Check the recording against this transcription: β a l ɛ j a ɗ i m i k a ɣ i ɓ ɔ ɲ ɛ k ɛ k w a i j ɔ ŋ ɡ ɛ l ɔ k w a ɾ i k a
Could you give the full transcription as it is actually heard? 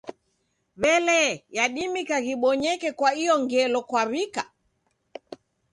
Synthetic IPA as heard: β ɛ l ɛ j a ɗ i m i k a ɣ i ɓ ɔ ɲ ɛ k ɛ k w a i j ɔ ŋ ɡ ɛ l ɔ k w a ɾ i k a